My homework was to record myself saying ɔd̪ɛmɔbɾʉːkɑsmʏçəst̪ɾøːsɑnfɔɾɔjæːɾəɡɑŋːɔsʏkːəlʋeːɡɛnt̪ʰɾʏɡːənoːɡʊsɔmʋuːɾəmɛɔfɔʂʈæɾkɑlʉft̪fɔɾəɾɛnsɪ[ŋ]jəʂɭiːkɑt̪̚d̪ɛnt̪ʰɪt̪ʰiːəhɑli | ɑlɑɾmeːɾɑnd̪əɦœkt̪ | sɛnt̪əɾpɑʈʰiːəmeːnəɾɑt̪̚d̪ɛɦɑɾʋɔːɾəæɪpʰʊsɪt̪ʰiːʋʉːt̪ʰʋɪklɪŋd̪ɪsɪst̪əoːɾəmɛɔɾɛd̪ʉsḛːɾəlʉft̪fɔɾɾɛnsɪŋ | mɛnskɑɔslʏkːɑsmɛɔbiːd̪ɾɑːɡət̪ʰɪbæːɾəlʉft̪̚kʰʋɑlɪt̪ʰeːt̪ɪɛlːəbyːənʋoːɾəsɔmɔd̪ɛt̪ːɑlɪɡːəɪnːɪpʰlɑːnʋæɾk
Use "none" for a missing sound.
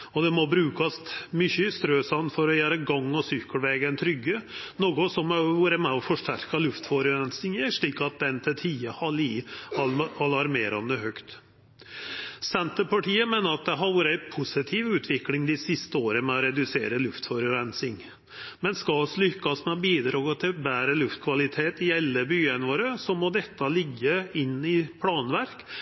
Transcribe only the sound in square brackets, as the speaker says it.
ŋ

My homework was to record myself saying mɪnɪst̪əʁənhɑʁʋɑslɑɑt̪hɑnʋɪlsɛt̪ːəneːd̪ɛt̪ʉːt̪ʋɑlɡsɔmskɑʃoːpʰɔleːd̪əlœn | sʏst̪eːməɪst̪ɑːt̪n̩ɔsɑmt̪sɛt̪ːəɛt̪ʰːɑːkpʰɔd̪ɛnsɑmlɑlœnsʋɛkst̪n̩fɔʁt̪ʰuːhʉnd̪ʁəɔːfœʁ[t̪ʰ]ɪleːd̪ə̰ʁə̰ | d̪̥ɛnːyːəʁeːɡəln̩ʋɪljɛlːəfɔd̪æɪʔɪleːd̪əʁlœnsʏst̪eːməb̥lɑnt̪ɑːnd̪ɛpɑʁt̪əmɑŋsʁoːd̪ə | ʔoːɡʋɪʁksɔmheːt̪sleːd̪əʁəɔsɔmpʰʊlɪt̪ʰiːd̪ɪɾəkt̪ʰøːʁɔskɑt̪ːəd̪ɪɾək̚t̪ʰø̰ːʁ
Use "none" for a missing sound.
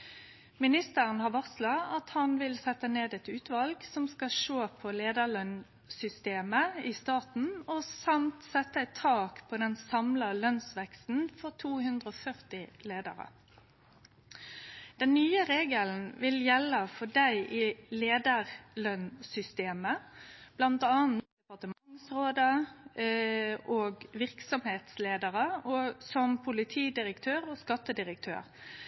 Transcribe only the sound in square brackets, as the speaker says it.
t̪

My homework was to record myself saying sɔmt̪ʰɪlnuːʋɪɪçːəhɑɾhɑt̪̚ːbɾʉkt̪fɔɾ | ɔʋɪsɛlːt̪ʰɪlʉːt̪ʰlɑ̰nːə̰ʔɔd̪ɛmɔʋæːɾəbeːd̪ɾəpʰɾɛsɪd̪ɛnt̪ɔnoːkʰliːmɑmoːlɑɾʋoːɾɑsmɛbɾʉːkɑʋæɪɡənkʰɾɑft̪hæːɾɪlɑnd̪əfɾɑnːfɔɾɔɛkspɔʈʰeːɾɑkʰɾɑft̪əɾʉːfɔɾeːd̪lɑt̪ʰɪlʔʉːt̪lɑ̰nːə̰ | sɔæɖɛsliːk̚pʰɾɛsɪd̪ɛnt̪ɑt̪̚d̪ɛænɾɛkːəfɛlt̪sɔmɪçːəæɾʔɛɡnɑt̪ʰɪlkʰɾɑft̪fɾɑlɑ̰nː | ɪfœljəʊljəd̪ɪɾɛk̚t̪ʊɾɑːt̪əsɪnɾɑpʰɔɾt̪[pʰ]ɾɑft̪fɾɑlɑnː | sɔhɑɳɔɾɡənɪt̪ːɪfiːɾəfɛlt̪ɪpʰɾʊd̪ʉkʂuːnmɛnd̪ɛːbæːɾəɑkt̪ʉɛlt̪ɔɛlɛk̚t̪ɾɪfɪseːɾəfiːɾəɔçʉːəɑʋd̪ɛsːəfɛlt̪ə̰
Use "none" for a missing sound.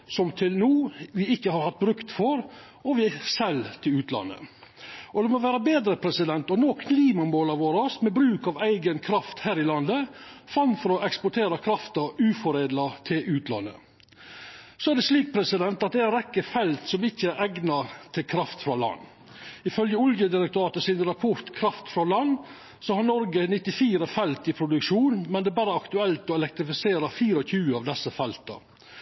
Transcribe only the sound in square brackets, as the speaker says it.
kʰ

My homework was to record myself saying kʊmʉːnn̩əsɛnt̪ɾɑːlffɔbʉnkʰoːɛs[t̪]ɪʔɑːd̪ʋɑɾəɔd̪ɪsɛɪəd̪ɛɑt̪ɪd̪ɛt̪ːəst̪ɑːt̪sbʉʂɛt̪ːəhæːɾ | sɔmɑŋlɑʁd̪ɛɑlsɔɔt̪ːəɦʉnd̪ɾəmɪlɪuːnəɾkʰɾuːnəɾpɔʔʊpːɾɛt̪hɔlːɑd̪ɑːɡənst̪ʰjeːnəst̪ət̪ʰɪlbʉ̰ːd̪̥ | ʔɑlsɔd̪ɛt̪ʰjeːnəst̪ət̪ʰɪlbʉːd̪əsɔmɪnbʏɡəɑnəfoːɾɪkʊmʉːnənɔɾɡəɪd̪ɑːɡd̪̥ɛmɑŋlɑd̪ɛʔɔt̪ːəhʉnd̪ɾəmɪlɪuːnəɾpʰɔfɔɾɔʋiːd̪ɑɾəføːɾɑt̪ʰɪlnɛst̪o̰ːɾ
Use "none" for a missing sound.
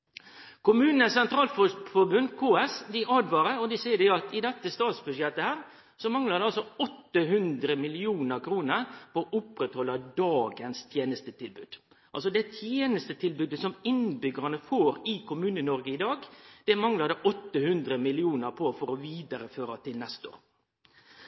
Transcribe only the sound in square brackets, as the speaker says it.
d̪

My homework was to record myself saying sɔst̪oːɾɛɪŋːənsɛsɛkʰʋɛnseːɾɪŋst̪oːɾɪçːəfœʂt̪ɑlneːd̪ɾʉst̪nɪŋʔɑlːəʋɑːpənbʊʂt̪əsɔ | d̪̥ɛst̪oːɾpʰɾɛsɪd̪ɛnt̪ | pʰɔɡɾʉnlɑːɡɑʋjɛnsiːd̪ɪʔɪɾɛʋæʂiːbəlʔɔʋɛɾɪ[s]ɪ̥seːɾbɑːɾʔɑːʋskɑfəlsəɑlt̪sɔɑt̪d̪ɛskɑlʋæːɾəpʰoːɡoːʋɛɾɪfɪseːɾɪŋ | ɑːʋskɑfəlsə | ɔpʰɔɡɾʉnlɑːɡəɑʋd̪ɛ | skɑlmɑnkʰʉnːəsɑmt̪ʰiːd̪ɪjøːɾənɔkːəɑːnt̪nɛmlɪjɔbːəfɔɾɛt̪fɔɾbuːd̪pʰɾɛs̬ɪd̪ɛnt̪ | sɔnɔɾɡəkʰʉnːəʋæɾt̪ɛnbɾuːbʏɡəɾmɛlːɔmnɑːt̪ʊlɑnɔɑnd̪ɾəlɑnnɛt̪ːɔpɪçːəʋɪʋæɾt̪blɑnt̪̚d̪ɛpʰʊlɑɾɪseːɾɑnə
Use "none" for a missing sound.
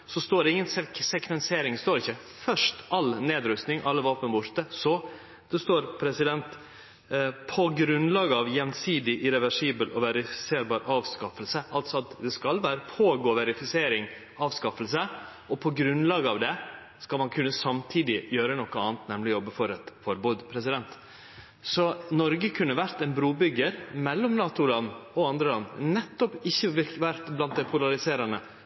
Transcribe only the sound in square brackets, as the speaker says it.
f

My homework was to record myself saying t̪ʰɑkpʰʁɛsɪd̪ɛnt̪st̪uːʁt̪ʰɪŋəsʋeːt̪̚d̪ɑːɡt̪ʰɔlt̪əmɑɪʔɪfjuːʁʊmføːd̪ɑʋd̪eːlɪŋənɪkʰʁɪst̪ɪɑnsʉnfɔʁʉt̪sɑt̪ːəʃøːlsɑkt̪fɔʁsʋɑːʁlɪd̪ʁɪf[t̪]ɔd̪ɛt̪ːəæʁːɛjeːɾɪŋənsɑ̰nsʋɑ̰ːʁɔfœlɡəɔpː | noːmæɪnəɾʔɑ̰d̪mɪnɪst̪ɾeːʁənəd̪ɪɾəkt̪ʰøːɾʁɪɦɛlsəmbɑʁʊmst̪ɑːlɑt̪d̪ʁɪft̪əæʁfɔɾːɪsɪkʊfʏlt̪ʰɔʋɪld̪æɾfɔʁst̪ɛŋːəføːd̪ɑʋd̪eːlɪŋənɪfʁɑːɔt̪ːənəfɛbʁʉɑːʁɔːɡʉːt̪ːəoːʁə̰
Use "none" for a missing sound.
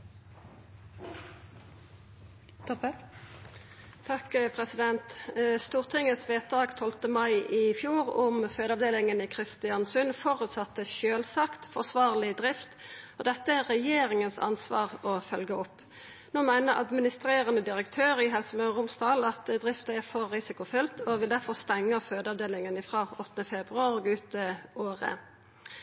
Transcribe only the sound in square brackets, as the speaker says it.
t̪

